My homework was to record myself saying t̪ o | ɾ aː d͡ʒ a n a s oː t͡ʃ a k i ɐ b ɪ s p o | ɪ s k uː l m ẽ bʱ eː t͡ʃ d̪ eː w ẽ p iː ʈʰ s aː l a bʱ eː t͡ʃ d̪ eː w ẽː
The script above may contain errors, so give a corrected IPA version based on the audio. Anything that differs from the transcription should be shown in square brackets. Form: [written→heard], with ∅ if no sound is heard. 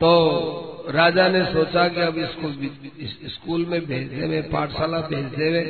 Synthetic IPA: t̪ o | ɾ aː d͡ʒ a n [a→e] s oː t͡ʃ a k i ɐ b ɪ s [p→k] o | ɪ s k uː l m ẽ bʱ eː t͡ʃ d̪ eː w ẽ p [iː→aː] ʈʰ s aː l a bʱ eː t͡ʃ d̪ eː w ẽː